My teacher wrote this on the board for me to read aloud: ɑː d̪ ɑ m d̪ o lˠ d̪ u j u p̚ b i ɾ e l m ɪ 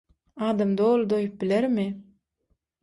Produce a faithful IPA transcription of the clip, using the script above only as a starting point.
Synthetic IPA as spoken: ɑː d̪ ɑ m d̪ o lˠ d̪ o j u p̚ b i l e ɾ m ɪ